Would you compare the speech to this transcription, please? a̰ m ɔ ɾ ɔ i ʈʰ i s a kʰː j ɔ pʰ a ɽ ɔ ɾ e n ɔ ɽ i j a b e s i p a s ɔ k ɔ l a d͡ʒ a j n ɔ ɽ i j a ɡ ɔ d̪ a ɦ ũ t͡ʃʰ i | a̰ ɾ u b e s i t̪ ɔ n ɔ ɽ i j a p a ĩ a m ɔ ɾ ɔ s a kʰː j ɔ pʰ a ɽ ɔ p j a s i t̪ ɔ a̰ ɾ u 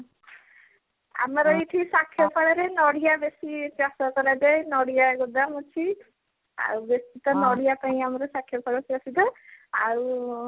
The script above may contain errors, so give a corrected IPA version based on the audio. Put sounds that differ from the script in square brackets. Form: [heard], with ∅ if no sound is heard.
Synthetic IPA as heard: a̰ m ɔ ɾ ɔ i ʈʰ i s a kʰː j ɔ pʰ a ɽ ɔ ɾ e n ɔ ɽ i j a b e s i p a s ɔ k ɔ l a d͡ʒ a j n ɔ ɽ i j a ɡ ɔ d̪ a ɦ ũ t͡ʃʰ i | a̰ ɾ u b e s i t̪ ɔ n ɔ ɽ i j a p a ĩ a m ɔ ɾ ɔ s a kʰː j ɔ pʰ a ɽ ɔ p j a s i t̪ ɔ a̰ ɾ u